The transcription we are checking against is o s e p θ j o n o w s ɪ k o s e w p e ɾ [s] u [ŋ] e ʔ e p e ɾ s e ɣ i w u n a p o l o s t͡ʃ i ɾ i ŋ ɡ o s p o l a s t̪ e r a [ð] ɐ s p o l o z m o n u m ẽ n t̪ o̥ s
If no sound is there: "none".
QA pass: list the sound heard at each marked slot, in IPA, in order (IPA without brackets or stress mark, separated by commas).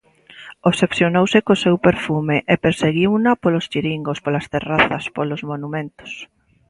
f, m, θ